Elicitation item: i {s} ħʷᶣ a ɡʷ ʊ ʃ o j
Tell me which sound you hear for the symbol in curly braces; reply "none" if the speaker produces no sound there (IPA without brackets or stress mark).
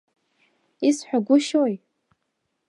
s